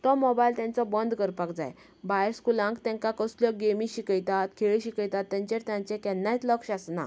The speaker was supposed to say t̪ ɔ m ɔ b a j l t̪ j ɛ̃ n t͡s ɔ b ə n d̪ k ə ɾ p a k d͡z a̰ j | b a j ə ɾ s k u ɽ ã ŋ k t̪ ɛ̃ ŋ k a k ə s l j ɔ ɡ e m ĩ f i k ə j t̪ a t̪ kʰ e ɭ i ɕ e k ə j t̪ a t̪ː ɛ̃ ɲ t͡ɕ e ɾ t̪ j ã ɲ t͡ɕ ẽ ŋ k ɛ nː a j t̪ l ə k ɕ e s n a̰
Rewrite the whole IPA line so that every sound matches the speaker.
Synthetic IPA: t̪ ɔ m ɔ b a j l t̪ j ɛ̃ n t͡s ɔ b ə n d̪ k ə ɾ p a k d͡z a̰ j | b a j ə ɾ s k u l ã ŋ k t̪ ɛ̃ ŋ k a k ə s l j ɔ ɡ e m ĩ ɕ i k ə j t̪ a t̪ kʰ e ɭ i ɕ i k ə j t̪ a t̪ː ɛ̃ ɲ t͡ɕ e ɾ t̪ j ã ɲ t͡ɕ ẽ k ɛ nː a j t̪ l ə k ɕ a s n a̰